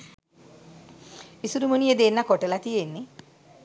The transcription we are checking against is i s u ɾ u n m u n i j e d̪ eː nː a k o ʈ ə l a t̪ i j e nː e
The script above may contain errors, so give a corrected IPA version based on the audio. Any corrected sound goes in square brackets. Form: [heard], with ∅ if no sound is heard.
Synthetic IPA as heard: i s u ɾ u [∅] m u n i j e d̪ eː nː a k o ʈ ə l a t̪ i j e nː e